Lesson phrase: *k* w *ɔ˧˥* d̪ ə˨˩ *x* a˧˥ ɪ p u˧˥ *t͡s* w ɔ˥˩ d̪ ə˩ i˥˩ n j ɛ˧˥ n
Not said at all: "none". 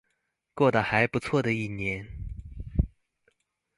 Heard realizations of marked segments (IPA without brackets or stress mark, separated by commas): k, ɔ˥˩, x, t͡sʰ